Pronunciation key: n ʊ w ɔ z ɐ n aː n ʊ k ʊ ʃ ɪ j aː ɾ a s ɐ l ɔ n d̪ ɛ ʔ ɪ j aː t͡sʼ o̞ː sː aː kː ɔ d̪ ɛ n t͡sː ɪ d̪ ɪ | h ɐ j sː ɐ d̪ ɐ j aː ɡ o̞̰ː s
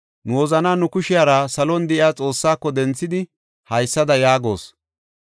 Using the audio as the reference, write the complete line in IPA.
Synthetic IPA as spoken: n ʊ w ɔ z ɐ n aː n ʊ k ʊ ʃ ɪ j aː ɾ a s ɐ l ɔ n d̪ ɛ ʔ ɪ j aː t͡sʼ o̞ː sː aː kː ɔ d̪ ɛ n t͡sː ɪ d̪ ɪ | h ɐ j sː ɐ d̪ ɐ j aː ɡ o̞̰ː s

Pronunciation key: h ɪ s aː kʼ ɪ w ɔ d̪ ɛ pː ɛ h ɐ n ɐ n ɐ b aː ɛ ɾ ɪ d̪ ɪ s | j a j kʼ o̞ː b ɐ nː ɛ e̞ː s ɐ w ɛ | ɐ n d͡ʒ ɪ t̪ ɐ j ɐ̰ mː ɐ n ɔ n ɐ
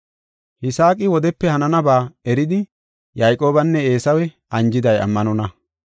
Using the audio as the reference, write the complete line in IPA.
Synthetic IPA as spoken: h ɪ s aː kʼ ɪ w ɔ d̪ ɛ pː ɛ h ɐ n ɐ n ɐ b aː ɛ ɾ ɪ d̪ ɪ | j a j kʼ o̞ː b ɐ nː ɛ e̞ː s ɐ w ɛ | ɐ n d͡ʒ ɪ d̪ ɐ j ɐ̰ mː ɐ n ɔ n ɐ

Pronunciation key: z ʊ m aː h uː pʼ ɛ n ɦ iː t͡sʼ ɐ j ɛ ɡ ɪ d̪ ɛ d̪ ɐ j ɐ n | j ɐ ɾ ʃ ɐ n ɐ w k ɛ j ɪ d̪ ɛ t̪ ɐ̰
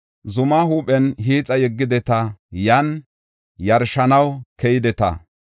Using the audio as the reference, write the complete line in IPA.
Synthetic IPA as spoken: z ʊ m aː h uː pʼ ɛ n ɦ iː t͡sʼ ɐ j ɛ ɡː ɪ d̪ ɛ t̪ ɐ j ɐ n | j ɐ ɾ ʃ ɐ n ɐ w k ɛ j ɪ d̪ ɛ t̪ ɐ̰

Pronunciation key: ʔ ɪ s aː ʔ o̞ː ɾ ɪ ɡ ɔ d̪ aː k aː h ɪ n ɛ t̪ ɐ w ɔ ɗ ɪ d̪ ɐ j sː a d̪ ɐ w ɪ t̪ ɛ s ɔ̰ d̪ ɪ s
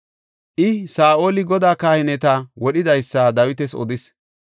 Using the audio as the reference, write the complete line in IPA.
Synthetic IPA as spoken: ʔ ɪ s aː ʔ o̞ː l ɪ ɡ ɔ d̪ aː k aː h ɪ n ɛ t̪ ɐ w ɔ ɗ ɪ d̪ ɐ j sː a d̪ ɐ w ɪ t̪ ɛ s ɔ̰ d̪ ɪ s

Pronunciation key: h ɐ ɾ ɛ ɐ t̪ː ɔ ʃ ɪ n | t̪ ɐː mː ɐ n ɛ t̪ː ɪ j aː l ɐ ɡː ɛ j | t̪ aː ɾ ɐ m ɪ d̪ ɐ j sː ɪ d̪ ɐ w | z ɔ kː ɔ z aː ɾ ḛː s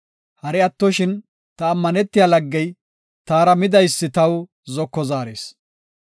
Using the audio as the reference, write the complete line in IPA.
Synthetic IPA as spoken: h ɐ ɾ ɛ ɐ t̪ː ɔ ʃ ɪ n | t̪ ɐː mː ɐ n ɛ t̪ː ɪ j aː l ɐ ɡː ɛ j | t̪ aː ɾ ɐ m ɪ d̪ ɐ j sː ɪ t̪ ɐ w | z ɔ kː ɔ z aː ɾ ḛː s

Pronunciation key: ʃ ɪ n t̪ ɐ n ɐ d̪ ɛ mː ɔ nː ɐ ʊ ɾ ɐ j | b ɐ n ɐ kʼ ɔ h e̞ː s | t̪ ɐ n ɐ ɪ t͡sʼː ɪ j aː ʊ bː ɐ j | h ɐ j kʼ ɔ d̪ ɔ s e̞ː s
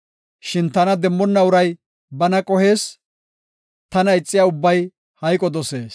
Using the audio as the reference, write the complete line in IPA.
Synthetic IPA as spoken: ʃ ɪ n t̪ ɐ n ɐ d̪ ɛ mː ɔ nː ɐ ʊ ɾ ɐ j | b ɐ n ɐ kʼ ɔ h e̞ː s | t̪ ɐ n ɐ ɪ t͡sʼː ɪ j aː ʊ bː ɐ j | h ɐ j kʼ ɔ d̪ ɔ s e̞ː s

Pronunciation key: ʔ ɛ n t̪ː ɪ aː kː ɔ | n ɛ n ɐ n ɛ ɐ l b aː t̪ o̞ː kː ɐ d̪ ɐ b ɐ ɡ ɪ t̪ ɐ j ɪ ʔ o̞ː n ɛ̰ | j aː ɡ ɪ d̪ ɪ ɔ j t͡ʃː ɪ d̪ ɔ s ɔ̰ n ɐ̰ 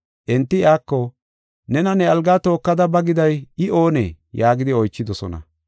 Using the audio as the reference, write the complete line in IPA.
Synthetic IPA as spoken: ʔ ɛ n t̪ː ɪ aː kː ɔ | n ɛ n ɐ n ɛ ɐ l ɡ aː t̪ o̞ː kː ɐ d̪ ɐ b ɐ ɡ ɪ d̪ ɐ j ɪ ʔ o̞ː n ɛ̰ | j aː ɡ ɪ d̪ ɪ ɔ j t͡ʃː ɪ d̪ ɔ s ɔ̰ n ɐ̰

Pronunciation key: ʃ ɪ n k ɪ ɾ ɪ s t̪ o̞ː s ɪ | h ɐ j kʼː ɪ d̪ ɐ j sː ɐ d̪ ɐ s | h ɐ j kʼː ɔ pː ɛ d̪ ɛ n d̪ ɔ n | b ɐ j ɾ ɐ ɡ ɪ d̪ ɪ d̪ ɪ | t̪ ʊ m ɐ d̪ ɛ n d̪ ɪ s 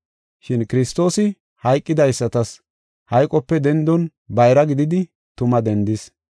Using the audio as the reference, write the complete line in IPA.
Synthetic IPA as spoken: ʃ ɪ n k ɪ ɾ ɪ s t̪ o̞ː s ɪ | h ɐ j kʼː ɪ d̪ ɐ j sː ɐ t̪ ɐ s | h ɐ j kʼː ɔ pː ɛ d̪ ɛ n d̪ ɔ n | b ɐ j ɾ ɐ ɡ ɪ d̪ ɪ d̪ ɪ | t̪ ʊ m ɐ d̪ ɛ n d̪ ɪ s

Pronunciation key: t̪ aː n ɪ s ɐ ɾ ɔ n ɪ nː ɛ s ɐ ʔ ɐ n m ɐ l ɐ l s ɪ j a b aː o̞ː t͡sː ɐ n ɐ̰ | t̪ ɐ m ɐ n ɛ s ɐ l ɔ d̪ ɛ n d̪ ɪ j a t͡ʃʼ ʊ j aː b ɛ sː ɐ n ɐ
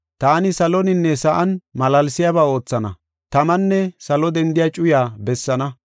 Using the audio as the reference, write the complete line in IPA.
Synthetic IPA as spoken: t̪ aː n ɪ s ɐ l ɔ n ɪ nː ɛ s ɐ ʔ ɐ n m ɐ l ɐ l s ɪ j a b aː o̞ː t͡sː ɐ n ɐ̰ | t̪ ɐ m ɐ nː ɛ s ɐ l ɔ d̪ ɛ n d̪ ɪ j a t͡ʃʼ ʊ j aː b ɛ sː ɐ n ɐ

